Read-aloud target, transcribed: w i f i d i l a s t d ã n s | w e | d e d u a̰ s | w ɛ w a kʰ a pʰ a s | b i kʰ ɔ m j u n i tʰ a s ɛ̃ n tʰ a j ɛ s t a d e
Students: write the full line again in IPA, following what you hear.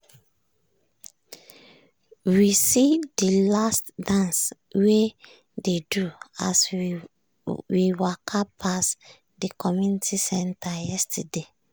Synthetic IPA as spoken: w i s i d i l a s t d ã n s | w e | d e d u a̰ s | w i w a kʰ a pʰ a s | d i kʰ ɔ m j u n i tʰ i s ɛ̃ n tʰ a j ɛ s t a d e

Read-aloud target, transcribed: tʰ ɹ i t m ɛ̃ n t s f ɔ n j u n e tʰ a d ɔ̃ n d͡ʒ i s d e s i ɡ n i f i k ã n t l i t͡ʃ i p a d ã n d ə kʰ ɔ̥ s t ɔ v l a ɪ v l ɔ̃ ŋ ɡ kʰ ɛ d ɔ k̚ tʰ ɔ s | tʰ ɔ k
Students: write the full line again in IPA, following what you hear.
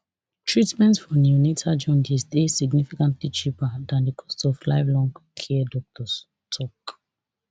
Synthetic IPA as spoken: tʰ ɹ i t m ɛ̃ n t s f ɔ n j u n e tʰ a d͡ʒ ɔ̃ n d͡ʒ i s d e s i ɡ n i f i k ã n t l i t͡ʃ i p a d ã n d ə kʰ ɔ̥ s t ɔ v l a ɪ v l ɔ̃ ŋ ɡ kʰ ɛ d ɔ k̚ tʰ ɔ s | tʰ ɔ k

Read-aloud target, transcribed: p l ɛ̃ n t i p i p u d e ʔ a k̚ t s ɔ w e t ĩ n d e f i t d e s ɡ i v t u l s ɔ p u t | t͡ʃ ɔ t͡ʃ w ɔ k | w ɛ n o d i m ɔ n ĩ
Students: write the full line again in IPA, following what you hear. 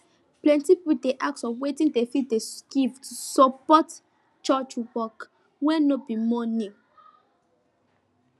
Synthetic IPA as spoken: p l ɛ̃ n t i p i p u d e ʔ a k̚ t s ɔ w e t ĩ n d e f i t d e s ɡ i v t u s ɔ p ɔ t | t͡ʃ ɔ t͡ʃ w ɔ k | w ɛ n o b i m ɔ n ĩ

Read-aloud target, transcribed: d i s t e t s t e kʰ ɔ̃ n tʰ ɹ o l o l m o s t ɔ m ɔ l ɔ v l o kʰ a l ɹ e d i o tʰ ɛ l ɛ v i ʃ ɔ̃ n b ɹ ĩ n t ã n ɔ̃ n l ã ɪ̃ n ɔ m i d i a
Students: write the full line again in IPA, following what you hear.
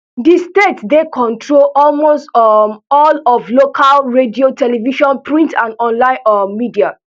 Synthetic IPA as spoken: d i s t e t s d e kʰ ɔ̃ n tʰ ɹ o l ɔ l m o s t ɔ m ɔ l ɔ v l o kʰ a l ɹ e d i o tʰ ɛ l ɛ v i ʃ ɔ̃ n p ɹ ĩ n t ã n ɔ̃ n l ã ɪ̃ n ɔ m i d i a

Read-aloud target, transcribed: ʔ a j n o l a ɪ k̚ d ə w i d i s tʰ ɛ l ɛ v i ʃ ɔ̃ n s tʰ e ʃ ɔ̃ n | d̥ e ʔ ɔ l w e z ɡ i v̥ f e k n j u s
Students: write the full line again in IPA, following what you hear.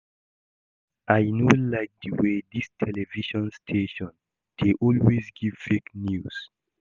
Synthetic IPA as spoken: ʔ a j n o l a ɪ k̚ d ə w e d i s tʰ ɛ l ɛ v i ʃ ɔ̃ n s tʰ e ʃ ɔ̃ n | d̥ e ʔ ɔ l w e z ɡ i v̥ f e k n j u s

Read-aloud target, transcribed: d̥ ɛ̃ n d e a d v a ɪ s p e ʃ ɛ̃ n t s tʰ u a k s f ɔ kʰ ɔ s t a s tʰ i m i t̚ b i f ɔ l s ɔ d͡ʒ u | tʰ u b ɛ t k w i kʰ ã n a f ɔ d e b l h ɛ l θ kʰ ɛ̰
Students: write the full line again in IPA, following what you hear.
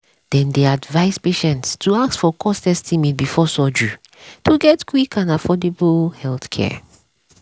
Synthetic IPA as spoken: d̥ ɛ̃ n d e a d v a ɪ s p e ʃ ɛ̃ n t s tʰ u a k s f ɔ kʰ ɔ s t ɛ s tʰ i m i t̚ b i f ɔ s ɔ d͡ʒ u | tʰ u ɡ ɛ t k w i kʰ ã n a f ɔ d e b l h ɛ l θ kʰ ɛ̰

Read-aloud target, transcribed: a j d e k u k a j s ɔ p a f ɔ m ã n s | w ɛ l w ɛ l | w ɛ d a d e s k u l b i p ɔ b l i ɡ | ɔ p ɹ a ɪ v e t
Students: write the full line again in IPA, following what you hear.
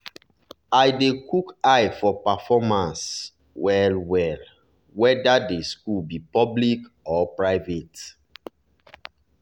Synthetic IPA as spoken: a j d e k u k a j f ɔ p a f ɔ m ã n s | w ɛ l w ɛ l | w ɛ d a d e s k u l b i p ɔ b l i k | ɔ p ɹ a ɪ v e t

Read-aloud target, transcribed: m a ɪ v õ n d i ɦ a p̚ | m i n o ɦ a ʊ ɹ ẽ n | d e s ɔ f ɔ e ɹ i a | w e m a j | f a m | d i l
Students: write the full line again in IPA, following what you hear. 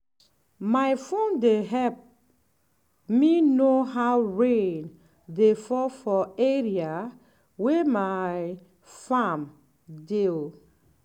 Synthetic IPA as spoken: m a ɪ f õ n d e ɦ ɛ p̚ | m i n o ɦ a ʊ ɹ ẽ n | d e f ɔ f ɔ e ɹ i a | w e m a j | f a m | d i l

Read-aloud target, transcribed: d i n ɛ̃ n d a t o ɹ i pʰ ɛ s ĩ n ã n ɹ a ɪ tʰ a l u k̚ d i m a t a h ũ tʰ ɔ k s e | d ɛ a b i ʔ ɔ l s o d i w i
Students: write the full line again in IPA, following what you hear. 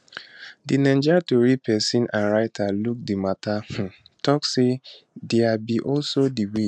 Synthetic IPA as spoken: d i n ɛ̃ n d͡ʒ a t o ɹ i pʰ ɛ s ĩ n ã n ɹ a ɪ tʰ a l u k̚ d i m a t a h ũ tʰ ɔ k s e | d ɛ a b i ʔ ɔ l s o d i w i

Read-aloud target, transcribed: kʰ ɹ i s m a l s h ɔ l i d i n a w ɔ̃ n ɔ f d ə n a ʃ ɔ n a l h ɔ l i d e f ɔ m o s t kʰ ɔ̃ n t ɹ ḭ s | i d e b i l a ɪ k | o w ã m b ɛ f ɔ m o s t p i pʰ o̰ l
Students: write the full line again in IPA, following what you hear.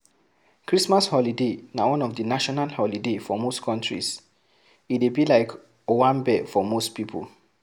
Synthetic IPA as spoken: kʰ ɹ i s m a s h ɔ l i d e n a w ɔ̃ n ɔ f d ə n a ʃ ɔ n a l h ɔ l i d e f ɔ m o s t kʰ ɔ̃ n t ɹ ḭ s | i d e b i l a ɪ k | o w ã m b ɛ f ɔ m o s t p i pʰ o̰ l

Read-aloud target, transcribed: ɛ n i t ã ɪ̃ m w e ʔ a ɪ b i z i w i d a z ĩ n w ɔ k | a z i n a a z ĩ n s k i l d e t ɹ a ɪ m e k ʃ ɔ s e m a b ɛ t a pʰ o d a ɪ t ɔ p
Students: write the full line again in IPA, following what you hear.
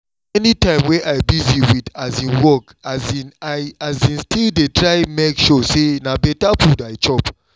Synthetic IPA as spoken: ɛ n i t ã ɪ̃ m w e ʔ a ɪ b i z i w i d a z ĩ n w ɔ k | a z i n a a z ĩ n s t i l d e t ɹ a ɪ m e k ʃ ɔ s e n a b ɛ t a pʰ u d a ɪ t͡ʃ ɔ p

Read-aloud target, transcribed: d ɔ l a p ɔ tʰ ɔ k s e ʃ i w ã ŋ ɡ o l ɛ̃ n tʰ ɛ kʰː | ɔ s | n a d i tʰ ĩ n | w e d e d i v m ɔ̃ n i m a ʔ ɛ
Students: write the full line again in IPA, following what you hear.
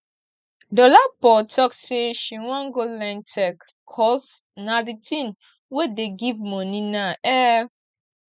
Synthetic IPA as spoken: d ɔ l a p ɔ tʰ ɔ k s e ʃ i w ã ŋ ɡ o l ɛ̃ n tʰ ɛ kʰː | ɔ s | n a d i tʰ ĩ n | w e d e ɡ i v m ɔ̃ n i n a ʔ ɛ

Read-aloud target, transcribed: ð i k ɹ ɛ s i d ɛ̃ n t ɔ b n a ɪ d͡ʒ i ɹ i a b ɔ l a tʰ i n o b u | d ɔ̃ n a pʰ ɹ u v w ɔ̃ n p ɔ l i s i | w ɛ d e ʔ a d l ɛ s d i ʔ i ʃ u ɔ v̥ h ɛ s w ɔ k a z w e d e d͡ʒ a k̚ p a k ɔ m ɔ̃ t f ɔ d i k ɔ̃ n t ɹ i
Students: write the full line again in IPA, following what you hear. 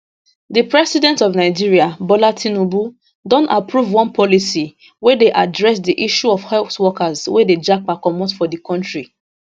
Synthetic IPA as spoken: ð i p ɹ ɛ s i d ɛ̃ n t ɔ v n a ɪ d͡ʒ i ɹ i a b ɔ l a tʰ i n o b u | d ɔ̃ n a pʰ ɹ u v w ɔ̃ n p ɔ l i s i | w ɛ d e ʔ a d ɹ ɛ s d i ʔ i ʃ u ɔ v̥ h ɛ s w ɔ k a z w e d e d͡ʒ a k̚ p a k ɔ m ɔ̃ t f ɔ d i k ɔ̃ n t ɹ i

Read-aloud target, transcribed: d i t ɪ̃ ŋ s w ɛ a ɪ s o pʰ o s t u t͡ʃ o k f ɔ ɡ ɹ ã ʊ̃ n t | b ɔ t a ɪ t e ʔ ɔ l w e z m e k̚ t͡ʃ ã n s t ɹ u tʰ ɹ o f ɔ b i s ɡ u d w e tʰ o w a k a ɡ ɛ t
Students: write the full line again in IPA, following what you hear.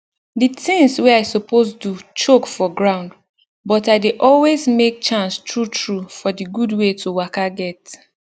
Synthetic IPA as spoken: d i t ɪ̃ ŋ s w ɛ a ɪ s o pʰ o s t u t͡ʃ o k f ɔ ɡ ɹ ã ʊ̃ n d | b ɔ t a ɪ d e ʔ ɔ l w e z m e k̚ t͡ʃ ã n s t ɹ u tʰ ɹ u f ɔ d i ɡ u d w e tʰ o w a k a ɡ ɛ t

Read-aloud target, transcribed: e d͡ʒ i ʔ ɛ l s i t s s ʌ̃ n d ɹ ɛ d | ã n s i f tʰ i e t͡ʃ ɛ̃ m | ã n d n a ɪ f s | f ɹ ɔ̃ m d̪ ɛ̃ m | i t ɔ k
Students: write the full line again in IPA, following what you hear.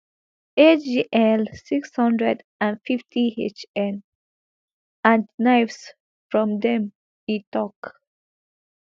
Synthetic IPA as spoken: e d͡ʒ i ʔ ɛ l s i k s h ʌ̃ n d ɹ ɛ d | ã n f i f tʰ i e t͡ʃ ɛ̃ n | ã n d n a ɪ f s | f ɹ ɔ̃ m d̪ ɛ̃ m | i t ɔ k

